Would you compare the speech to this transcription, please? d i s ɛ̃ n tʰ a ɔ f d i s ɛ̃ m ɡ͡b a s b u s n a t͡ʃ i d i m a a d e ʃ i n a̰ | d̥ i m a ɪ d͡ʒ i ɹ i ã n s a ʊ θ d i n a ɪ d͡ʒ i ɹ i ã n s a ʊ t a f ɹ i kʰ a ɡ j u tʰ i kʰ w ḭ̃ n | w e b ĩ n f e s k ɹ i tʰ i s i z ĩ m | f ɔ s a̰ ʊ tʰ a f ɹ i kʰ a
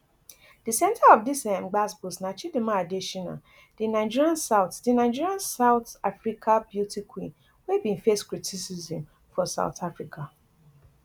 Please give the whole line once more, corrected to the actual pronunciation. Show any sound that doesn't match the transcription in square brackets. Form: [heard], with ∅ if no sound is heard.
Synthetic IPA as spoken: d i s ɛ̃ n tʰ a ɔ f d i s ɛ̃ m ɡ͡b a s b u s n a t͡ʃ i d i m a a d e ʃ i n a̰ | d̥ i [n] a ɪ d͡ʒ i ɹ i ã n s a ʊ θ d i n a ɪ d͡ʒ i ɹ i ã n s a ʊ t a f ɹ i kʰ a [b] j u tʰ i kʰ w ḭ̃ n | w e b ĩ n f e s k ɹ i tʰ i s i z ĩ m | f ɔ s a̰ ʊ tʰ a f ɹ i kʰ a